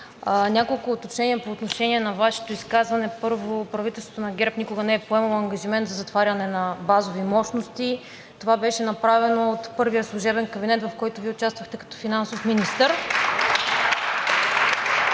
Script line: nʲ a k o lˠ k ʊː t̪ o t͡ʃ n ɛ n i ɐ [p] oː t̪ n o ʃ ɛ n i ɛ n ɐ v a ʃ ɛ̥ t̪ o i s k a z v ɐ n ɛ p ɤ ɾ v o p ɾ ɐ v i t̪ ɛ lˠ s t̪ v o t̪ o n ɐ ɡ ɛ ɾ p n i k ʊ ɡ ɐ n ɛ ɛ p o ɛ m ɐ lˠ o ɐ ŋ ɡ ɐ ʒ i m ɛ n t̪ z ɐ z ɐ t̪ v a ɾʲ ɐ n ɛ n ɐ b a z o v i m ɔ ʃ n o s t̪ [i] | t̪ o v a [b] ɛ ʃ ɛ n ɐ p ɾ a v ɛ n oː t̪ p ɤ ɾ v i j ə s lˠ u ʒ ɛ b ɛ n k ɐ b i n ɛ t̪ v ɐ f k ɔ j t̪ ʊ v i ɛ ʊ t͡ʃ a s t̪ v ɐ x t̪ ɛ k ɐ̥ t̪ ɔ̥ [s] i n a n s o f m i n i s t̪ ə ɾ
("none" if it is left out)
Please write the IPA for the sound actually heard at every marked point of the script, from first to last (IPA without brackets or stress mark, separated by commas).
p, i, b, f